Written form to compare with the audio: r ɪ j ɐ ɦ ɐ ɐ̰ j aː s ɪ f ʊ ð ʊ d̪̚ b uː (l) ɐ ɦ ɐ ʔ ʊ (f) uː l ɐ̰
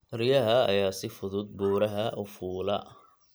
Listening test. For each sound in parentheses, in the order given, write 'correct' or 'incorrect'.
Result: incorrect, correct

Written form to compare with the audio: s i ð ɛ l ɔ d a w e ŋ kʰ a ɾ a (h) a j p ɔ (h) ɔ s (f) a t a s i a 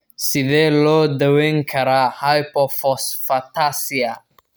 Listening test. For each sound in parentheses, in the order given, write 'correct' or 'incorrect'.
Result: correct, incorrect, correct

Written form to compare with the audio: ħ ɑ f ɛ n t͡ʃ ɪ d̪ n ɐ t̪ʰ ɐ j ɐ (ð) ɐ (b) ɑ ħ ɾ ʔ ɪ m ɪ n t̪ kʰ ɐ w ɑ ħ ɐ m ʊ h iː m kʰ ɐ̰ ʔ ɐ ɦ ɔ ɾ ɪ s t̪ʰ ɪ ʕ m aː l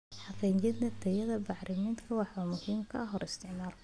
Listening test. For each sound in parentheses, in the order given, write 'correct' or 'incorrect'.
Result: correct, correct

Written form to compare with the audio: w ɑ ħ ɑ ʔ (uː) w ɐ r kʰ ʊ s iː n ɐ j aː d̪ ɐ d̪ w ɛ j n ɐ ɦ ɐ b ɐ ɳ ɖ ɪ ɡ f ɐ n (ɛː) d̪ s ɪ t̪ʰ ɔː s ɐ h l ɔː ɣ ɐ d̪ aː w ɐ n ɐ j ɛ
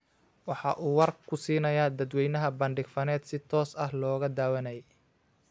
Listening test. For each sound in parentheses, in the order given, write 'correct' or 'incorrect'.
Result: correct, correct

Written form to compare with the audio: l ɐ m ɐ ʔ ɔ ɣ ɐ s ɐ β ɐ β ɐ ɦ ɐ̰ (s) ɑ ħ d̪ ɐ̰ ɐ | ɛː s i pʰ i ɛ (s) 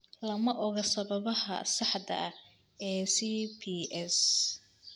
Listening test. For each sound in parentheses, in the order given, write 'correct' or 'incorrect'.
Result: correct, correct

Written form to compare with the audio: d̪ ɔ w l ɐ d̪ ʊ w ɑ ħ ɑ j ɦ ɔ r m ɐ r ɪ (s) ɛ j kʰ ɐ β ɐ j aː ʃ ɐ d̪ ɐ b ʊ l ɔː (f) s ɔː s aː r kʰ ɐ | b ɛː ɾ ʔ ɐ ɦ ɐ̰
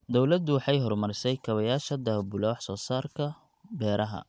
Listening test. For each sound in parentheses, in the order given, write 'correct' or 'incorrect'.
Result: correct, incorrect

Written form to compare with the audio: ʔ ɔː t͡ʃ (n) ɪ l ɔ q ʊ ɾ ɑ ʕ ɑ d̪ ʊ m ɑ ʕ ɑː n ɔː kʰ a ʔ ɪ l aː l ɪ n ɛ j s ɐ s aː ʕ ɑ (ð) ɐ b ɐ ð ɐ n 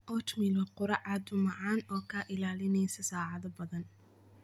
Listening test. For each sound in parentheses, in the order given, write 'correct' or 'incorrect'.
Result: incorrect, correct

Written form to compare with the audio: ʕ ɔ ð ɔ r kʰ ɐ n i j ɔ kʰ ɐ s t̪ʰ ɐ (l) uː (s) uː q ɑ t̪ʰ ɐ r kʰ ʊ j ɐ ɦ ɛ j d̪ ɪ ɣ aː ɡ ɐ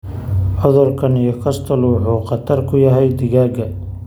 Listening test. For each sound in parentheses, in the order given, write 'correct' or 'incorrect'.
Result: correct, incorrect

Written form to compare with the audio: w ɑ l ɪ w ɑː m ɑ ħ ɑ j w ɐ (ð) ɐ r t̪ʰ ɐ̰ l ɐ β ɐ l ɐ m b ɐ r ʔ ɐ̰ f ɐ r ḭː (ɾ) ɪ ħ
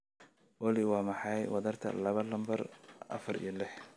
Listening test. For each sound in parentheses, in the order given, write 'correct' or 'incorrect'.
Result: correct, incorrect

